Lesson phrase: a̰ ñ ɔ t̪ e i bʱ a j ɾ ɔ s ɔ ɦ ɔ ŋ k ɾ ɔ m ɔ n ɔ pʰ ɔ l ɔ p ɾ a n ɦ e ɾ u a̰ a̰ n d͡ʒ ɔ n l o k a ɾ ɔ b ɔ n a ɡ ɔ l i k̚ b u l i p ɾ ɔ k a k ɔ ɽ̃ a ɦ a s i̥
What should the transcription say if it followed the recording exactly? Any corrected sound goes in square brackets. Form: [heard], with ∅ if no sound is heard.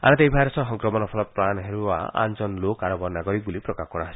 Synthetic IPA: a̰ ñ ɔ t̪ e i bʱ a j ɾ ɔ s ɔ ɦ ɔ ŋ k ɾ ɔ m ɔ n ɔ pʰ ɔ l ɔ p ɾ a n ɦ e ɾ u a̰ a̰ n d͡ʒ ɔ n l o k a ɾ ɔ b ɔ n a ɡ ɔ [ɾ] i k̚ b u l i p ɾ ɔ k a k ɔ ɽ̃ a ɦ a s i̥